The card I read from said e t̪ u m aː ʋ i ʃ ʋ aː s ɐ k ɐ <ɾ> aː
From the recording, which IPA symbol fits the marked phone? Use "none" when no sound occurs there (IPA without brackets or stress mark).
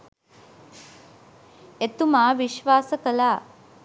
l